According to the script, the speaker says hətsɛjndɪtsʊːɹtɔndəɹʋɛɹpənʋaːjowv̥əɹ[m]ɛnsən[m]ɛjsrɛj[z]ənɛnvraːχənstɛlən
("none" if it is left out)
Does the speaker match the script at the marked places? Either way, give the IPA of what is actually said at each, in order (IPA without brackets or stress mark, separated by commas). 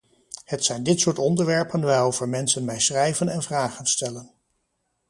m, m, v